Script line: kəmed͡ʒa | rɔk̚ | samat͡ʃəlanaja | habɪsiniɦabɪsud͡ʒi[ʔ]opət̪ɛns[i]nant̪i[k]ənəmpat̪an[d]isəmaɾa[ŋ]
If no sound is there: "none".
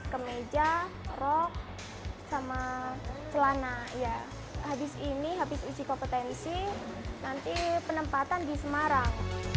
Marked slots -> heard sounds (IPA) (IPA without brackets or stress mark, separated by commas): k, i, p, d, ŋ